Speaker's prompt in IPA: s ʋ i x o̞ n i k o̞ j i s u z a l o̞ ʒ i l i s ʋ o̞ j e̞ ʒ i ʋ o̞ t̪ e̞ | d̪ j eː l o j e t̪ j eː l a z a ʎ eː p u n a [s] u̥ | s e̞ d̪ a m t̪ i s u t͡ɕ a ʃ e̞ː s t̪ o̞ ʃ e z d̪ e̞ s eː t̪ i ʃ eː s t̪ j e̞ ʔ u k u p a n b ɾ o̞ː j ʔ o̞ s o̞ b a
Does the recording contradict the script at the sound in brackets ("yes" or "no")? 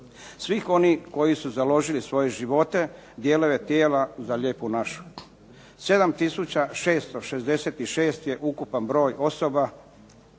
yes